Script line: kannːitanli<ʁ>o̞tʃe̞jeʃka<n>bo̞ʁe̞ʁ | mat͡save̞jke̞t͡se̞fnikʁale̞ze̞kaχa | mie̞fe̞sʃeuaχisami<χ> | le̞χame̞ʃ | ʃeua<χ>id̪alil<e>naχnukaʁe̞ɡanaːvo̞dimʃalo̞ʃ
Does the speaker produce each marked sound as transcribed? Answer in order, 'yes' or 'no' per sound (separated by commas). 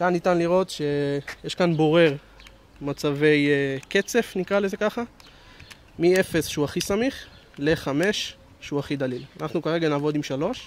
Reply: yes, yes, yes, yes, no